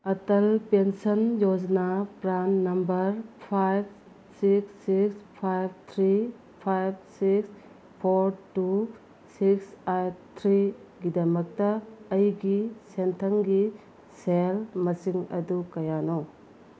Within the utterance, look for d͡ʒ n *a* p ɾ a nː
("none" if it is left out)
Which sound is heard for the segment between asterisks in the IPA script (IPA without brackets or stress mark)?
a